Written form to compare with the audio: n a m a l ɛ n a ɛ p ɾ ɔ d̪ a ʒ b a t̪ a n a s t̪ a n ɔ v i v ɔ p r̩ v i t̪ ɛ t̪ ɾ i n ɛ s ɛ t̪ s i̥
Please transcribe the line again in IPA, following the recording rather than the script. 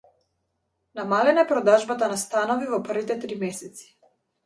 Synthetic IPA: n a m a l ɛ n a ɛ p ɾ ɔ d̪ a ʒ b a t̪ a n a s t̪ a n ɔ v i v ɔ p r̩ v i t̪ ɛ t̪ ɾ i m ɛ s ɛ t̪ s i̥